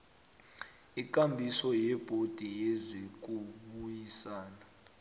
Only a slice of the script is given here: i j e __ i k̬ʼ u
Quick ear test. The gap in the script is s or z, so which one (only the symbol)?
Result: z